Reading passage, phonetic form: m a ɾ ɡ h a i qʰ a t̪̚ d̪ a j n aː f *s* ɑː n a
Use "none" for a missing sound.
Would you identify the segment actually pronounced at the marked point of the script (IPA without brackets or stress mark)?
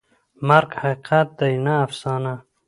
s